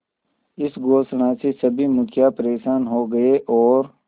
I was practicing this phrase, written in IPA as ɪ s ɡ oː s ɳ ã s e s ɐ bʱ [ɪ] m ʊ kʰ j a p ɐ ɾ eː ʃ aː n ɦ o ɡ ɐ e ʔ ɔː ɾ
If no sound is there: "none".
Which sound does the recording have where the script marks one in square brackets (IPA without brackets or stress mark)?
i